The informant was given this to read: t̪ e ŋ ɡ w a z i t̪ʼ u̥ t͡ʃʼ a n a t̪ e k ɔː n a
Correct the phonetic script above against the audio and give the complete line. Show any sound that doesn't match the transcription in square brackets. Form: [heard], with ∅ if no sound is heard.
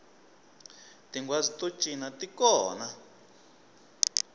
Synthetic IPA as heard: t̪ [i] ŋ ɡ w a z i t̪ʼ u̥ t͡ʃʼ [i] n a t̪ [i] k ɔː n a